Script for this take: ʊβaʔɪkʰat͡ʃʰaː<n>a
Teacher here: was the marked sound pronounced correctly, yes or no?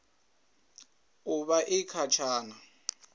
yes